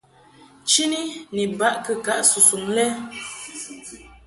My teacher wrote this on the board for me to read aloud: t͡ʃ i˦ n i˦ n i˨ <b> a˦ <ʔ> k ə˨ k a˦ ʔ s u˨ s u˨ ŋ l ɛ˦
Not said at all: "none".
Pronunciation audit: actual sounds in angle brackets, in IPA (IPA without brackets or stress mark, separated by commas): b, ʔ